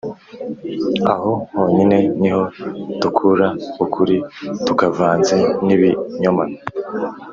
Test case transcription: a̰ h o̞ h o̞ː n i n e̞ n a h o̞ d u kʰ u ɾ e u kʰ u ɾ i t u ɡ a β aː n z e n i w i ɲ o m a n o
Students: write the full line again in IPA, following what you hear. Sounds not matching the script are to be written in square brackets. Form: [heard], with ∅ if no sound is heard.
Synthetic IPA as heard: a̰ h o̞ h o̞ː [ɲ] i n e̞ n [i] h o̞ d u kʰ u ɾ [a] u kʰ u ɾ i t u [k] a [v] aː n z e n i [β] i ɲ o m a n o